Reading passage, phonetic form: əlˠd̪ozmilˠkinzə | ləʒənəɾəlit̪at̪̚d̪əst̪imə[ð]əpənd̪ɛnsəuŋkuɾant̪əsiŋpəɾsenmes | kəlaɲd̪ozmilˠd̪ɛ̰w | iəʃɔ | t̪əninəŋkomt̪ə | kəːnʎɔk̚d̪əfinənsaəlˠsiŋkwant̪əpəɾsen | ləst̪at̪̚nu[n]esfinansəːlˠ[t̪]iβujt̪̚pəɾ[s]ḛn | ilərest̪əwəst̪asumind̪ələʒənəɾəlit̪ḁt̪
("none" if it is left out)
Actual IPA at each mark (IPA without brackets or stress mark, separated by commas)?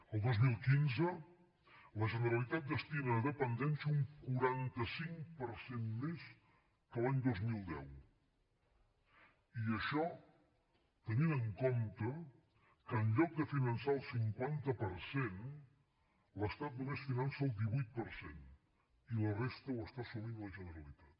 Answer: ð, m, d̪, s